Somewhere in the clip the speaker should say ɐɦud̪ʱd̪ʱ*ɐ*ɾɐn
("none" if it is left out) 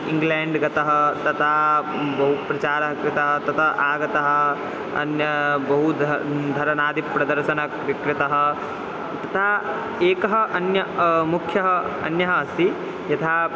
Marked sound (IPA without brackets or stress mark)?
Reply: ɐ